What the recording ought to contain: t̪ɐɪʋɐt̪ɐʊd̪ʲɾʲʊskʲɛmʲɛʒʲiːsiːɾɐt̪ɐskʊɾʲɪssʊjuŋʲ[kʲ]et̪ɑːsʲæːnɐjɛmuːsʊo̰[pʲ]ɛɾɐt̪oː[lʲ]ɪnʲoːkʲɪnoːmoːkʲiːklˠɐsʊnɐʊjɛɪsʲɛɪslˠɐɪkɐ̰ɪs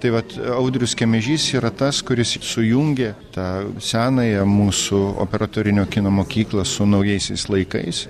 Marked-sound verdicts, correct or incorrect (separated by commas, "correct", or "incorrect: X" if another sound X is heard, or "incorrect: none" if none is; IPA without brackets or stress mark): incorrect: ɡʲ, correct, incorrect: ɾʲ